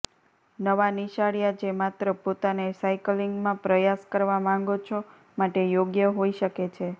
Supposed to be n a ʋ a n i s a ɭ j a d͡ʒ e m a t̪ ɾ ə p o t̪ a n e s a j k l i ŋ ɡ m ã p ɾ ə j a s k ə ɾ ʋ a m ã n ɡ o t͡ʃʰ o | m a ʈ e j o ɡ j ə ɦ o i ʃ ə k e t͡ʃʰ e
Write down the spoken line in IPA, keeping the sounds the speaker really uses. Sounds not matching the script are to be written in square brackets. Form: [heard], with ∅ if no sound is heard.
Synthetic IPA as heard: n [ə] ʋ a n i [ʃ] a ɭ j a d͡ʒ e m a t̪ ɾ ə p o t̪ a n e s a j k l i ŋ ɡ m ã p ɾ ə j a s k ə ɾ ʋ a m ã [ŋ] ɡ o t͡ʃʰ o | m a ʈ e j o ɡ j ə ɦ o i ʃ ə k e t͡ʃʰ e